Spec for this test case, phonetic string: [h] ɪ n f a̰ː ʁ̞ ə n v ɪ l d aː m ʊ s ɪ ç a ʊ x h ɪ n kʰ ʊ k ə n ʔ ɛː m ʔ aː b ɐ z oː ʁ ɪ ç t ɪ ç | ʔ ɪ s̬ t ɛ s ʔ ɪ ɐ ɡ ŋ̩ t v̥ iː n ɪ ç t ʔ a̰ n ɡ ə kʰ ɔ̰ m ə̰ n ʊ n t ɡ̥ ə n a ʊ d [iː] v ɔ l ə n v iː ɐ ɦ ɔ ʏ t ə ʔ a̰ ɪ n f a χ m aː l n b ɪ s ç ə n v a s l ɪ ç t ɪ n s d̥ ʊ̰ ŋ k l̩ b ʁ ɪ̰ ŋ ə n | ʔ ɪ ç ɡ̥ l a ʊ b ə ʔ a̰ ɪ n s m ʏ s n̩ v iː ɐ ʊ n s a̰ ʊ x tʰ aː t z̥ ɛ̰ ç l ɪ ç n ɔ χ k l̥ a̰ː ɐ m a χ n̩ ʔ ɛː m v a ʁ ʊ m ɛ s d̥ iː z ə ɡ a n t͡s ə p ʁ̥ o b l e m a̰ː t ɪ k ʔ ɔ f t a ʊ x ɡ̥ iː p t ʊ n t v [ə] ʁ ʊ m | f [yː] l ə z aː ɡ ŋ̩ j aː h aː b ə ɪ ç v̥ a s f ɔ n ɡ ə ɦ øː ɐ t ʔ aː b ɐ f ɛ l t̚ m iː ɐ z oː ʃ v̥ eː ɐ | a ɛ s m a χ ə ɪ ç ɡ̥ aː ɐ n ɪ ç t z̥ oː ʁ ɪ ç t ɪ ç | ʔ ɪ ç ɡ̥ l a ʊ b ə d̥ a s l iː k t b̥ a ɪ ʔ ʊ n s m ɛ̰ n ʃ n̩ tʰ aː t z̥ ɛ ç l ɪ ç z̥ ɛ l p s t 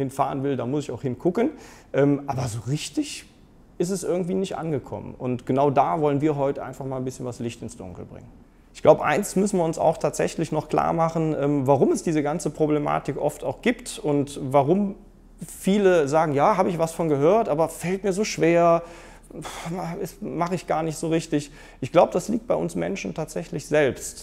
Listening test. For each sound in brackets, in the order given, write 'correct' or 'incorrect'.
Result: correct, incorrect, incorrect, incorrect

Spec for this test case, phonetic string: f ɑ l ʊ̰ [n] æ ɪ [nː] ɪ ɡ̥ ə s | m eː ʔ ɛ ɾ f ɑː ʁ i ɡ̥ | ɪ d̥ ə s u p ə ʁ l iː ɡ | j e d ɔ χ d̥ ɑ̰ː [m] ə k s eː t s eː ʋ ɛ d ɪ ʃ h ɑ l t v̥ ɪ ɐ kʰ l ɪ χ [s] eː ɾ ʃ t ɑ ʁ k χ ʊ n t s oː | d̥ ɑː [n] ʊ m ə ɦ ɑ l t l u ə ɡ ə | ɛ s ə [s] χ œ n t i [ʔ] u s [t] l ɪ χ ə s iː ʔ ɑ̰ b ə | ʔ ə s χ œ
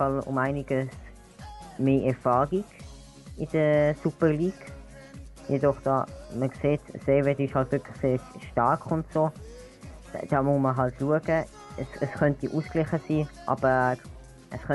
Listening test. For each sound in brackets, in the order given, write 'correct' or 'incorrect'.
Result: incorrect, incorrect, correct, correct, incorrect, correct, correct, incorrect

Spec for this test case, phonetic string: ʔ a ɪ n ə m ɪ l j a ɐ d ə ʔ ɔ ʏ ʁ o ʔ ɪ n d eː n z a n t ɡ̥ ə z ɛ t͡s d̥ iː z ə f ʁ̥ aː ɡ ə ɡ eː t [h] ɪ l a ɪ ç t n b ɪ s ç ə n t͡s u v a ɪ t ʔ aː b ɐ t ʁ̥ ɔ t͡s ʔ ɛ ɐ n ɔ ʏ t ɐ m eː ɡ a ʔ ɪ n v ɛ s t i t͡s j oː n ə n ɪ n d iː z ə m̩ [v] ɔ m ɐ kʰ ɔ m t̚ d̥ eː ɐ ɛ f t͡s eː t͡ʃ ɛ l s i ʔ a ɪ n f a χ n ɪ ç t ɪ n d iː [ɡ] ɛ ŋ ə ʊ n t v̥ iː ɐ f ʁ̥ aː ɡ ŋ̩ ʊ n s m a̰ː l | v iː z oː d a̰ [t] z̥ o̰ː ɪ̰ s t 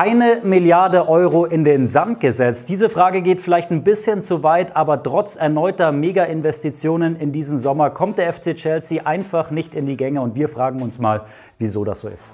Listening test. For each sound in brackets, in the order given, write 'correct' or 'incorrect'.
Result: incorrect, incorrect, correct, incorrect

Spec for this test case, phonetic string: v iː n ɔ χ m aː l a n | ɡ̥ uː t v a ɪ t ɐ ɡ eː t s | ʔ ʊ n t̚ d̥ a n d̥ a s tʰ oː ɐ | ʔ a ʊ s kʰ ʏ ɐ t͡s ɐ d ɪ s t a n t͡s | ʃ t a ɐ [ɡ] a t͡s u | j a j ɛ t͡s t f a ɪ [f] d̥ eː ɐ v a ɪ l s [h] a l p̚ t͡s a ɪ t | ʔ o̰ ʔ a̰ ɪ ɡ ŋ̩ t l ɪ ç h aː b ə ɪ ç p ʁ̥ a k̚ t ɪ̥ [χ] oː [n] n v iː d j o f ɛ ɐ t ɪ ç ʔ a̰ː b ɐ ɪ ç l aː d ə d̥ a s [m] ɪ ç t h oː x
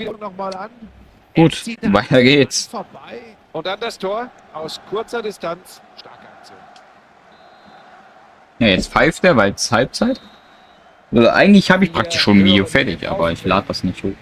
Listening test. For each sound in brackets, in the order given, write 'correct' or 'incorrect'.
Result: incorrect, correct, correct, incorrect, correct, incorrect

